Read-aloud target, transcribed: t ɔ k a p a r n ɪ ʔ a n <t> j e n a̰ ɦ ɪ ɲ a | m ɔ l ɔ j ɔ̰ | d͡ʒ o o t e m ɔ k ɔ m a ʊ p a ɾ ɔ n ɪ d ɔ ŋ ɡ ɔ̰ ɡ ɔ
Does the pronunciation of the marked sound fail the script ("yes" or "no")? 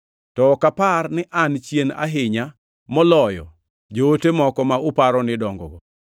yes